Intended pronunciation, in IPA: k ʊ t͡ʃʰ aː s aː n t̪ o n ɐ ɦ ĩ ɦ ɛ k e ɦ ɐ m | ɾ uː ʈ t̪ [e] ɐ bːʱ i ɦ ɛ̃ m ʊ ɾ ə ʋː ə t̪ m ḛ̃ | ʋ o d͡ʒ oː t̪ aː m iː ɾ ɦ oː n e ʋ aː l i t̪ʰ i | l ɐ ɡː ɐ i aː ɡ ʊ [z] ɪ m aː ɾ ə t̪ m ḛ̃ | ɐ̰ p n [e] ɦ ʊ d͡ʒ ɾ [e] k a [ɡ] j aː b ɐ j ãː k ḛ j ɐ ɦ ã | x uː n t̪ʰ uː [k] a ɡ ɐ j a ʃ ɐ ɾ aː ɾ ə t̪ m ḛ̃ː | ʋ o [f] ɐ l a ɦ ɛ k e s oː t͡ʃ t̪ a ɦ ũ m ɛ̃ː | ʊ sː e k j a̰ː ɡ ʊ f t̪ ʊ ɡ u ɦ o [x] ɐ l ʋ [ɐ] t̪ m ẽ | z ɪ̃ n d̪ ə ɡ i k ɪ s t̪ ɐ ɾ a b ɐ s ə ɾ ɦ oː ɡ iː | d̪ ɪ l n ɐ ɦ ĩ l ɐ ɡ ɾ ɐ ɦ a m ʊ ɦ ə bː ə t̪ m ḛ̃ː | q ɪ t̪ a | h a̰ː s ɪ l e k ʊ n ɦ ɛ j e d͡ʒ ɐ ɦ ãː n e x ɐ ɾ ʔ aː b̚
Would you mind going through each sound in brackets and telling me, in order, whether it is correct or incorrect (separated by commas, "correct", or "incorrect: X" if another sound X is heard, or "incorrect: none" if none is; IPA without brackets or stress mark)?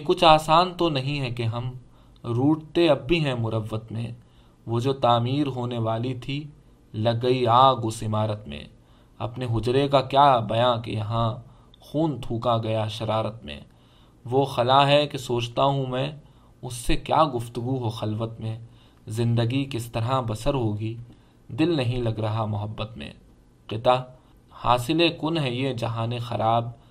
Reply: correct, incorrect: s, correct, correct, incorrect: k, correct, incorrect: x, correct, incorrect: ə